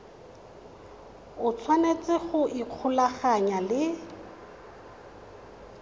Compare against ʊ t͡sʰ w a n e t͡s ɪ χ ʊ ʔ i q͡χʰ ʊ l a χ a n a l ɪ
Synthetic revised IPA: ʊ t͡sʰ w a n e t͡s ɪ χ ʊ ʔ i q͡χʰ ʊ l a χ a ɲ a l ɪ